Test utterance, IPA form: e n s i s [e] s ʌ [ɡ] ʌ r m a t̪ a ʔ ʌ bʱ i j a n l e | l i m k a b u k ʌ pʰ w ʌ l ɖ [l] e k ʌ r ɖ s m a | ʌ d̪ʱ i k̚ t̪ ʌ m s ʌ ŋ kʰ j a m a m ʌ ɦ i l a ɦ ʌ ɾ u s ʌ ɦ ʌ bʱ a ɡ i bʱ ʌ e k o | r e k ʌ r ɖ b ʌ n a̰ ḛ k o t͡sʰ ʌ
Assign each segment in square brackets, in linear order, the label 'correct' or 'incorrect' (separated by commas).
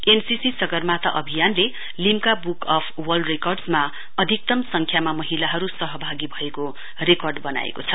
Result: incorrect, correct, incorrect